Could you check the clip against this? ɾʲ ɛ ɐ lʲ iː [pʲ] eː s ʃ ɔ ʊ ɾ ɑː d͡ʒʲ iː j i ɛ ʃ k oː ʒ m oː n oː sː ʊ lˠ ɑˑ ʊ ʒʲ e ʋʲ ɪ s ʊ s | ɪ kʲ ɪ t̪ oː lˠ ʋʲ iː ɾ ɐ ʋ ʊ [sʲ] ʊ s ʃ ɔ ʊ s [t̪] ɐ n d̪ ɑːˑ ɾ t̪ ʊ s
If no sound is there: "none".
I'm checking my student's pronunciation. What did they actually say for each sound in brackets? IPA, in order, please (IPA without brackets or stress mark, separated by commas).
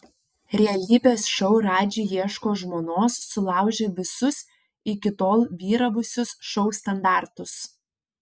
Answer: bʲ, sʲ, t̪